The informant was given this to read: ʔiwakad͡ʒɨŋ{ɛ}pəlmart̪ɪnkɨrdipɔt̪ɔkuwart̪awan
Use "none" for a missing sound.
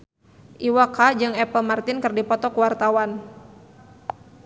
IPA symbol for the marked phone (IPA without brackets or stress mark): ɛ